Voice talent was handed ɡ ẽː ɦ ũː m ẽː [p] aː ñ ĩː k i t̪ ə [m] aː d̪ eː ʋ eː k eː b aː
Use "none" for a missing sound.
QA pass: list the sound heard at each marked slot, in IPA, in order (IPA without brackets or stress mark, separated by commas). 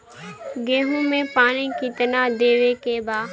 p, n